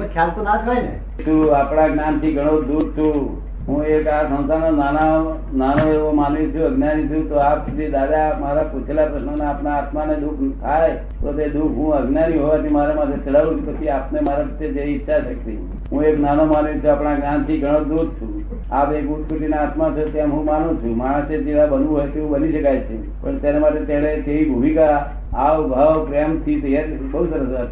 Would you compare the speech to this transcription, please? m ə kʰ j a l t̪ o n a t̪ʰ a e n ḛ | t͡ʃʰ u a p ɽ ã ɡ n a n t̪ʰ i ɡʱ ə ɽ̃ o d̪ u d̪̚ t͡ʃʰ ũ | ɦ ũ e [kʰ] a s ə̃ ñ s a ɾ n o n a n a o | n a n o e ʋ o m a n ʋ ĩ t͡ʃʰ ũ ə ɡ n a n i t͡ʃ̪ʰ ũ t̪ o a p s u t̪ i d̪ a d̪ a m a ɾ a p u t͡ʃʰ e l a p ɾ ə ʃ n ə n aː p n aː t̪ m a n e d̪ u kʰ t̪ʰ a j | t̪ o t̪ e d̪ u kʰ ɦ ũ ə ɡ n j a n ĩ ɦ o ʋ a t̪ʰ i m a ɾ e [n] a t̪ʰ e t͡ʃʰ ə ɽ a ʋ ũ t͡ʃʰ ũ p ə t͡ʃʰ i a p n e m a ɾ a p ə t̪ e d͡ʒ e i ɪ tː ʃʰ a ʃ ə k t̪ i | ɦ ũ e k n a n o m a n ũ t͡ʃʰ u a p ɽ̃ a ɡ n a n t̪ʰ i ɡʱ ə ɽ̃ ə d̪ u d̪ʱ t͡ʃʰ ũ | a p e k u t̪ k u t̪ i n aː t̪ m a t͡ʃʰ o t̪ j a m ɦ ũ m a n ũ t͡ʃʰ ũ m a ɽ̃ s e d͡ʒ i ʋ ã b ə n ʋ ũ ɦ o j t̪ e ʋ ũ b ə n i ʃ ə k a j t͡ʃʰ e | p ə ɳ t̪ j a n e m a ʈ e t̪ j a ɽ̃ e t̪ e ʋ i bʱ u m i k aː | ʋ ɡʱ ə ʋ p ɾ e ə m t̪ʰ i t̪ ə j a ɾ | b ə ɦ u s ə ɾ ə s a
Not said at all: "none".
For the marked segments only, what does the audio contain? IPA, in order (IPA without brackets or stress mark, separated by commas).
k, m